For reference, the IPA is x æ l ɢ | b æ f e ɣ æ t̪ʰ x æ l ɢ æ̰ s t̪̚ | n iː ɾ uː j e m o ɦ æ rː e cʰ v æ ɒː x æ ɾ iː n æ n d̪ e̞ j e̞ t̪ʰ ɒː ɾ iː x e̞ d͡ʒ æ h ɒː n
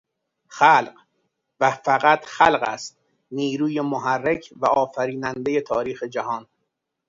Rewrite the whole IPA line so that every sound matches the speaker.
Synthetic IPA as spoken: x æ l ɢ | v æ f æ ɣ æ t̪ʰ x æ l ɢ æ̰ s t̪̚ | n iː ɾ uː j e m o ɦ æ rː e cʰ v æ ɒː f æ ɾ iː n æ n d̪ e̞ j e̞ t̪ʰ ɒː ɾ iː x e̞ d͡ʒ æ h ɒː n

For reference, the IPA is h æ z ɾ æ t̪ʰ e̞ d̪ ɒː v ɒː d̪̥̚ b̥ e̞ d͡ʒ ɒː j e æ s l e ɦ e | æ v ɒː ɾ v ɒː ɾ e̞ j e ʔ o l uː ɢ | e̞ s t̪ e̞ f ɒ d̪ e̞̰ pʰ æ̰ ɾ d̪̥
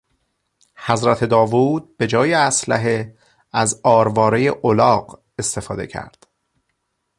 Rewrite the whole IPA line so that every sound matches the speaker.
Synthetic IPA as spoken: h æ z ɾ æ t̪ʰ e̞ d̪ ɒː v uː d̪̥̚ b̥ e̞ d͡ʒ ɒː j e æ s l æ ɦ e | æ z ɒː ɾ v ɒː ɾ e̞ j e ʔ o l ɒː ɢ | e̞ s t̪ e̞ f ɒː d̪ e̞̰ cʰ æ̰ ɾ d̪̥

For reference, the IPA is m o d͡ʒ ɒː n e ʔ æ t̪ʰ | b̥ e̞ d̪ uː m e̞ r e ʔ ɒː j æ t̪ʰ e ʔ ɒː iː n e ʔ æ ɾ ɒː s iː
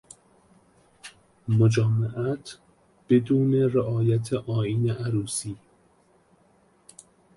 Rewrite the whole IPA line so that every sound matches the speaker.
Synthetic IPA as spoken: m o d͡ʒ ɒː m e ʔ æ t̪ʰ | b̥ e̞ d̪ uː n e̞ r e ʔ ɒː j æ t̪ʰ e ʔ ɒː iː n e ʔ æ ɾ uː s iː

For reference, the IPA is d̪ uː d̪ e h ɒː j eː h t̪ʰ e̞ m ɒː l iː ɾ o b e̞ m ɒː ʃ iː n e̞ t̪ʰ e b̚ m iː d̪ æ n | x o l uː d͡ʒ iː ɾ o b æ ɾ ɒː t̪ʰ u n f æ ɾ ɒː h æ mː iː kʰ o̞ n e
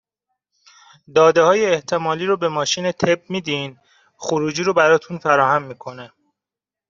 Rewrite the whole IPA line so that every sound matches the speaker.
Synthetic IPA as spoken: d̪ ɒː d̪ e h ɒː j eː h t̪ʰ e̞ m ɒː l iː ɾ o b e̞ m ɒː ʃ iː n e̞ t̪ʰ e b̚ m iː d̪ i n | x o ɾ uː d͡ʒ iː ɾ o b æ ɾ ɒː t̪ʰ u n f æ ɾ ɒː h æ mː iː kʰ o̞ n e

